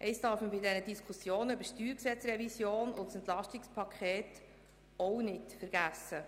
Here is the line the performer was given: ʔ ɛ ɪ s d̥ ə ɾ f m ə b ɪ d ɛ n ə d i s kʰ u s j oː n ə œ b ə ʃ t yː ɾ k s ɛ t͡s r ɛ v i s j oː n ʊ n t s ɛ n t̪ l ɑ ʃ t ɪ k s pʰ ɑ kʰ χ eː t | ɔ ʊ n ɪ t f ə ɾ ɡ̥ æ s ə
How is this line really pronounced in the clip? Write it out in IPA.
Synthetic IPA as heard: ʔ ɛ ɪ s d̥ ɑ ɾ f m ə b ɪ d ɛ n ə d i s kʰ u s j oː n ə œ b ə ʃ t yː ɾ k s ɛ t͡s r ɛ v i s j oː n ʊ n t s ɛ n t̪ l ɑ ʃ t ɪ k s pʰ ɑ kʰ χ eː t | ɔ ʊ n ɪ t f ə ɾ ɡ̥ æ s ə